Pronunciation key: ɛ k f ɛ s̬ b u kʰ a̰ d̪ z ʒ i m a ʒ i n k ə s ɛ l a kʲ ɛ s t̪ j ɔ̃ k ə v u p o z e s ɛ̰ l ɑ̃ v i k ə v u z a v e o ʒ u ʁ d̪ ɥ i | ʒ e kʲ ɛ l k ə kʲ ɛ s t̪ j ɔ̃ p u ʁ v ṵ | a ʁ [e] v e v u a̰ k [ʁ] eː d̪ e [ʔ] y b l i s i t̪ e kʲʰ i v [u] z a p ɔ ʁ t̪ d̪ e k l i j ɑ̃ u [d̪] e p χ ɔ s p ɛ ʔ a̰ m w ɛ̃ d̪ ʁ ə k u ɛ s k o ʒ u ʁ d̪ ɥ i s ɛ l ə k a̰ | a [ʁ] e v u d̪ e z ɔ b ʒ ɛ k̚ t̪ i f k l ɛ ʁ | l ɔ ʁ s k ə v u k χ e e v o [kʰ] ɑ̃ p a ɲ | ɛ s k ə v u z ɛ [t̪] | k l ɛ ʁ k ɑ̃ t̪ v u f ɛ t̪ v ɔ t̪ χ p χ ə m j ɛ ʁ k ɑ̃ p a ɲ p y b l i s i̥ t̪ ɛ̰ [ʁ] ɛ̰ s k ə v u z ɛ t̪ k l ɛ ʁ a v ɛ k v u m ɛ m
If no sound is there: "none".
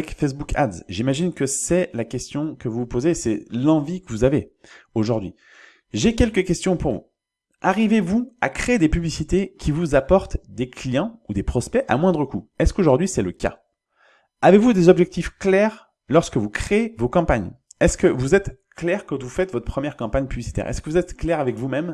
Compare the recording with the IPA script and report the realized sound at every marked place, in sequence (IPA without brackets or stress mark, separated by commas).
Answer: i, χ, p, u, d̪, v, k, t̪, ʁ